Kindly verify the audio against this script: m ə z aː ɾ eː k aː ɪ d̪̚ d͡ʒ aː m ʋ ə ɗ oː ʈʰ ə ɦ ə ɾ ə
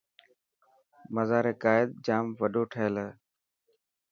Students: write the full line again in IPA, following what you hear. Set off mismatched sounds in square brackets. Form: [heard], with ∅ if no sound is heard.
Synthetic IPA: m ə z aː ɾ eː k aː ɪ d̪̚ d͡ʒ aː m ʋ ə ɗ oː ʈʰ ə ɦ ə [l] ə